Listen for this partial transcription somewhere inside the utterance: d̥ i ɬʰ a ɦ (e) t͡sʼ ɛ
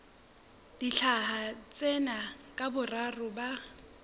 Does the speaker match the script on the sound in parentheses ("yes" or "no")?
no